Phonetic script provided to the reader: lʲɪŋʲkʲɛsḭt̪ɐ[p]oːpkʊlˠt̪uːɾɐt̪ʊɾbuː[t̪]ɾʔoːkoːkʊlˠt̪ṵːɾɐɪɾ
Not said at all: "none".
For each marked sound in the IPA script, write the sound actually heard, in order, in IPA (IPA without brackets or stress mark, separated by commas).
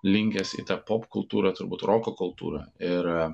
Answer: p, t̪